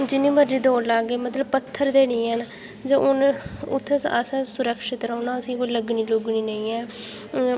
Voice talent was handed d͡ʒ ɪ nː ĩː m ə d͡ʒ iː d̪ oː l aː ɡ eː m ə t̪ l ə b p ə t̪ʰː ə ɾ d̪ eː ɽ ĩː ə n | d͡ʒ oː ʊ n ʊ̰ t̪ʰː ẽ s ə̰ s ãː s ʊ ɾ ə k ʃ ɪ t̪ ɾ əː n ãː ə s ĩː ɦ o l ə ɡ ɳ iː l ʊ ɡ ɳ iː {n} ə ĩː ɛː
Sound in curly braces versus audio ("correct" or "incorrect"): correct